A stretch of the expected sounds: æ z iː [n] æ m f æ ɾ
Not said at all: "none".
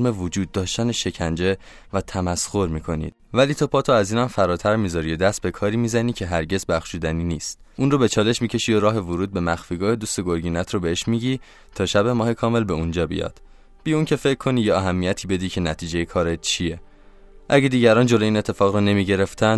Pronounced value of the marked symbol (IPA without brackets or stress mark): n